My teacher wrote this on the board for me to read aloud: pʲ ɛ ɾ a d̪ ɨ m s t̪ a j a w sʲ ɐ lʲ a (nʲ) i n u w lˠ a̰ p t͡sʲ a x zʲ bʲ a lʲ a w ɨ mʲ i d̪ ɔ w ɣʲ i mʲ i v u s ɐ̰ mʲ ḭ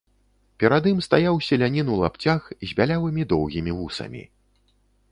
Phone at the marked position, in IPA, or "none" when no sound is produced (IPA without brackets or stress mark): nʲ